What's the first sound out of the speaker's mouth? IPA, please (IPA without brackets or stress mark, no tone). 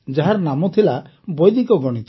d͡ʒ